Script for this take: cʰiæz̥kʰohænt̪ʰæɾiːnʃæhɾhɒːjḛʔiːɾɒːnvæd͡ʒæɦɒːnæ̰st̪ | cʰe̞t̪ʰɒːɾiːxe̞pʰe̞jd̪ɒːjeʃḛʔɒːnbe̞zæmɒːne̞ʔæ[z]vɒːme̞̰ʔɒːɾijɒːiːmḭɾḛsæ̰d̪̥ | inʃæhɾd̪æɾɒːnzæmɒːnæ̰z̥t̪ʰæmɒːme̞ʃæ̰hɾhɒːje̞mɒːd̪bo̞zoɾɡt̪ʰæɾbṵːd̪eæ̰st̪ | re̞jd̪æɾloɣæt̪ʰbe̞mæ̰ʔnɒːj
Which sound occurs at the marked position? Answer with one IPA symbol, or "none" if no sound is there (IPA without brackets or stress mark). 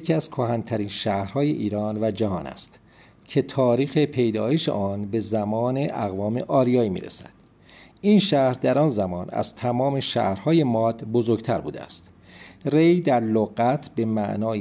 ɣ